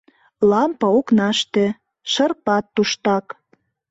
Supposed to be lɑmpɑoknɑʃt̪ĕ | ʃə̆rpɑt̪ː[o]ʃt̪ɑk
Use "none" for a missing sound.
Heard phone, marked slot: u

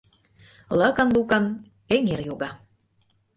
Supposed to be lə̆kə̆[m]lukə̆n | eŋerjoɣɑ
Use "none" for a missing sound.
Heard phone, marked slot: n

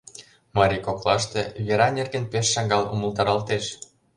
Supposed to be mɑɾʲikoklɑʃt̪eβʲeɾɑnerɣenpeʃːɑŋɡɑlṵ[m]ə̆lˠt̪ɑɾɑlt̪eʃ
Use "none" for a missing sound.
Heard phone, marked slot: m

